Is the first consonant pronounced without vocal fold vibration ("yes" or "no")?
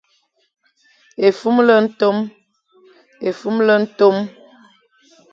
yes